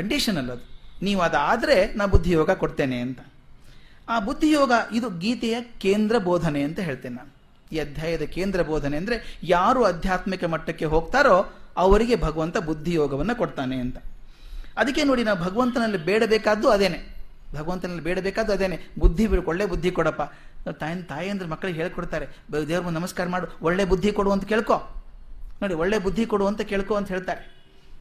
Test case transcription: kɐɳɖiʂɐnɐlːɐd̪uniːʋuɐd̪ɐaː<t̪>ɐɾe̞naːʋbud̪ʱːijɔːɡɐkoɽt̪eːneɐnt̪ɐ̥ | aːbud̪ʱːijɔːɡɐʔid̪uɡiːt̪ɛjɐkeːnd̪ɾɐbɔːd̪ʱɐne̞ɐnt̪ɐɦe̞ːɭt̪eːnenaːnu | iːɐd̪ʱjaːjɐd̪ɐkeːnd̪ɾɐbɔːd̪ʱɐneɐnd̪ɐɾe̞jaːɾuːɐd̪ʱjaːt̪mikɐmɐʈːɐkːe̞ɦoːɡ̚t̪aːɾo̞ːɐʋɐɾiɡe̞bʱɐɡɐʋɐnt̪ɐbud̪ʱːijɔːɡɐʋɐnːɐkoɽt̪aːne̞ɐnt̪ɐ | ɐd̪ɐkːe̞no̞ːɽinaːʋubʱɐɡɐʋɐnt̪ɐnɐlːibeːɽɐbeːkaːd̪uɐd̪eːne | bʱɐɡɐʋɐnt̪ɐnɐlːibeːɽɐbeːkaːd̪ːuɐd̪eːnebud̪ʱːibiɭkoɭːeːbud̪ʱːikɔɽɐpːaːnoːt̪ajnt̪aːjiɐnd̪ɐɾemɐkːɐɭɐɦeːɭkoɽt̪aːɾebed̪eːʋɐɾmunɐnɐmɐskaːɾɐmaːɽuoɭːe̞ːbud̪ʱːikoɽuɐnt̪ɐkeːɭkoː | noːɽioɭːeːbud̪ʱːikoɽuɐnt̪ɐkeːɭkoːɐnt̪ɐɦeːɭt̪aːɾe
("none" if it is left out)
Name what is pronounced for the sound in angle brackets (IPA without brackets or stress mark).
d̪